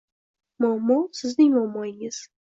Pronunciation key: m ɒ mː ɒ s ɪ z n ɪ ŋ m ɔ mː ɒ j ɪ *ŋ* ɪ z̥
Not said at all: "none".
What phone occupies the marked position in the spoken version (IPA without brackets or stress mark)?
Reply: ŋ